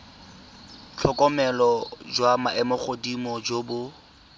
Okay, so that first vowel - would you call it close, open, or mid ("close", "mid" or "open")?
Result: mid